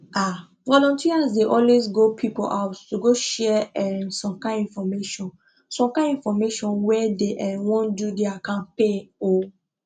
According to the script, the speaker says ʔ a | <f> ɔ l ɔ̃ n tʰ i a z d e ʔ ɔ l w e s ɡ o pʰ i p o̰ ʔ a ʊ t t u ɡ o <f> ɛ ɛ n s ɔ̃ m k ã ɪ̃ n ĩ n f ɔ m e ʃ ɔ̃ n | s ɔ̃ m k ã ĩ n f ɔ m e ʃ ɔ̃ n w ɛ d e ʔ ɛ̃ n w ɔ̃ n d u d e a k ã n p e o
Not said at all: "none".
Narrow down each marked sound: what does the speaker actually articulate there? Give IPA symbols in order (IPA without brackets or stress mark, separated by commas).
v, ʃ